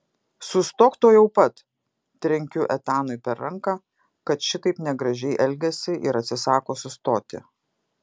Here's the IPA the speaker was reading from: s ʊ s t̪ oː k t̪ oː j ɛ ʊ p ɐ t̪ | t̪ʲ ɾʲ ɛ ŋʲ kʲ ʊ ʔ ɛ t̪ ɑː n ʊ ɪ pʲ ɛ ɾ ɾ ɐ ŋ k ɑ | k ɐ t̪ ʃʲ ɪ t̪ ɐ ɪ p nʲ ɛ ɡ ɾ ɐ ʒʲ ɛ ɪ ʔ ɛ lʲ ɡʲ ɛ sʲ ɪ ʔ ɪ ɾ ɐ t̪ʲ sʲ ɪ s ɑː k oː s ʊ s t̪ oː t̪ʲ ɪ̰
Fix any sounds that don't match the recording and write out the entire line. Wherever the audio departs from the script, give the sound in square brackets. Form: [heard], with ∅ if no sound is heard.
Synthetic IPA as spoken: s ʊ s t̪ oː k t̪ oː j ɛ ʊ p ɐ t̪ | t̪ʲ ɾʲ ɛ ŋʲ kʲ ʊ ʔ ɛ t̪ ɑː n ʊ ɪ pʲ ɛ ɾ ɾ ɐ ŋ k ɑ | k ɐ t̪ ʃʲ ɪ t̪ ɐ ɪ p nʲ ɛ ɡ ɾ ɐ ʒʲ ɛ ɪ ʔ ɛ lʲ ɡʲ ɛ sʲ ɪ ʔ ɪ ɾ ɐ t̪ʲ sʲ ɪ s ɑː k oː s ʊ s t̪ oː t̪ʲ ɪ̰